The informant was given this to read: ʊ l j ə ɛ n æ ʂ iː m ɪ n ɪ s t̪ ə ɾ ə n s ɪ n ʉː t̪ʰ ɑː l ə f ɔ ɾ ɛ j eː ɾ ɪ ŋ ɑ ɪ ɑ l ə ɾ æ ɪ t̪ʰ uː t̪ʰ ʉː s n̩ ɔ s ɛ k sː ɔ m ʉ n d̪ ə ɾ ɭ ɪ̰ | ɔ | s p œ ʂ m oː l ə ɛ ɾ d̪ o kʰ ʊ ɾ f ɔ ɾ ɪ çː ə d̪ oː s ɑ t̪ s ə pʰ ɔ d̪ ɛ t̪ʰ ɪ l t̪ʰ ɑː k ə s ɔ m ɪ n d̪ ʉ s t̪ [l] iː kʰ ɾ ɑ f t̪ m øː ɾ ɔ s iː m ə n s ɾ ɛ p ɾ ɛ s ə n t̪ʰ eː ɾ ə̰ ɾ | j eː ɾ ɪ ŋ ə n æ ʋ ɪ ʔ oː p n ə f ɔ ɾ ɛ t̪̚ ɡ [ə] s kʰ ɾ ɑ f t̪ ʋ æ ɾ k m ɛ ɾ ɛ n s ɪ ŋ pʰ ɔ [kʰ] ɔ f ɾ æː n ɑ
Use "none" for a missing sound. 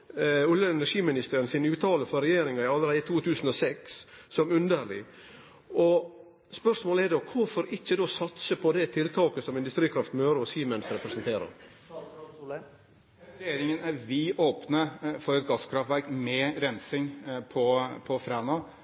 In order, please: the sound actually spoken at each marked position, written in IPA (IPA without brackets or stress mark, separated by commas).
ɾ, ɑ, pʰ